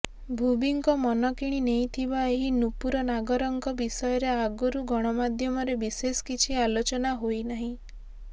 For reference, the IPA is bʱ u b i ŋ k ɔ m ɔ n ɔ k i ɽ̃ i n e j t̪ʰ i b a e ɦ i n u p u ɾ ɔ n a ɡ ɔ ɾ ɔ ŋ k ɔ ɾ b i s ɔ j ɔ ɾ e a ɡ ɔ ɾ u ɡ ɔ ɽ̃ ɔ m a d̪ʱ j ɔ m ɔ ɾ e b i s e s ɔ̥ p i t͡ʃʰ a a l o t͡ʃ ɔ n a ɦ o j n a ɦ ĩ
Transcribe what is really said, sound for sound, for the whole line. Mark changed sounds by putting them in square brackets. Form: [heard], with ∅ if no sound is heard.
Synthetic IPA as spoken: bʱ u b i ŋ k ɔ m ɔ n ɔ k i ɽ̃ i n e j t̪ʰ i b a e ɦ i n u p u ɾ ɔ n a ɡ ɔ ɾ ɔ ŋ k ɔ [∅] b i s ɔ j ɔ ɾ e a ɡ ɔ ɾ u ɡ ɔ ɽ̃ ɔ m a d̪ʱ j ɔ m ɔ ɾ e b i s e s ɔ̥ [k] i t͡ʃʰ [i] a l o t͡ʃ ɔ n a ɦ o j n a ɦ ĩ